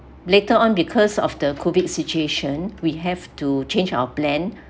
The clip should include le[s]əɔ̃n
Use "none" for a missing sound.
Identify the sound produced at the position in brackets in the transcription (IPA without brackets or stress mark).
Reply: t